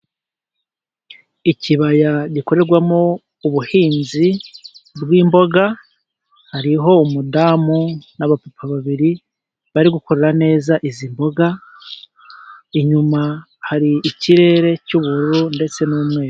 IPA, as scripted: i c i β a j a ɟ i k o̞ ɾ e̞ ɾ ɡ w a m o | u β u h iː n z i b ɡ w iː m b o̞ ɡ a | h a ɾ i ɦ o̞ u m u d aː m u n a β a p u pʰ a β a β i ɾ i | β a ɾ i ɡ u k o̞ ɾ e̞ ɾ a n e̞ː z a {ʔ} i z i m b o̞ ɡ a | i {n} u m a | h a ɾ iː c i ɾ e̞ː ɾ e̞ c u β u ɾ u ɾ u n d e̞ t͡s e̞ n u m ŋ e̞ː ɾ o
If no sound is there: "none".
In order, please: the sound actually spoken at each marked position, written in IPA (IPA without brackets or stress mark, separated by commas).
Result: ʔ, ɲ